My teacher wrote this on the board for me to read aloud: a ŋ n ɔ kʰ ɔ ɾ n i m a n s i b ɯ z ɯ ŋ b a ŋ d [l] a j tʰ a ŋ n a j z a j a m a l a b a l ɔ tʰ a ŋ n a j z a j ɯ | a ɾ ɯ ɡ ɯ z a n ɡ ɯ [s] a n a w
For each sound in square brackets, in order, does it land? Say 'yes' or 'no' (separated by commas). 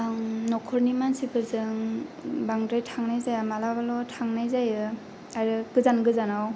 no, no